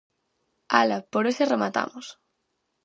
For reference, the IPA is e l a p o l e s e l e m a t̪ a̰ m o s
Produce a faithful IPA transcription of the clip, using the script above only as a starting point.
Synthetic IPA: a l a p o ɾ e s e r e m a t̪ a̰ m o s